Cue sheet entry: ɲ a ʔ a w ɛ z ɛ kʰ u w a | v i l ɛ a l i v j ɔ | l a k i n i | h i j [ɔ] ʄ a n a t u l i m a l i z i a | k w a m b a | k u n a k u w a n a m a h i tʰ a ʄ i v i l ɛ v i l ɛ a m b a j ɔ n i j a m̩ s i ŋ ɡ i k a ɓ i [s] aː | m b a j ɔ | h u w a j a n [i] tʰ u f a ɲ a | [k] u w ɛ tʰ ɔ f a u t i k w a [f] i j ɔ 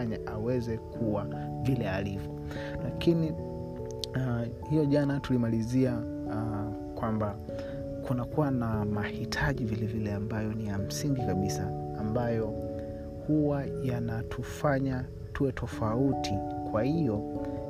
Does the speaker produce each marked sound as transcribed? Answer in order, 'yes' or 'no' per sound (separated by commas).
yes, yes, no, no, no